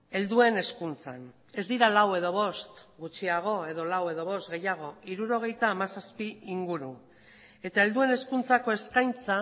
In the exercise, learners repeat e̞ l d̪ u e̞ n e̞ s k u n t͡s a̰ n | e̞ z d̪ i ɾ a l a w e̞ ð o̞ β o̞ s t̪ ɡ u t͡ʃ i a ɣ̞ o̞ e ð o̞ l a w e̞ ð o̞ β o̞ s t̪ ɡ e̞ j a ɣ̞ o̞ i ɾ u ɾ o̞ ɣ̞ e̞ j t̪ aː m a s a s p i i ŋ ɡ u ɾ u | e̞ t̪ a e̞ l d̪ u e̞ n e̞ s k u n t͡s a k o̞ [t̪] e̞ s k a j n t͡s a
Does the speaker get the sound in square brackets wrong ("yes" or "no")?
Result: yes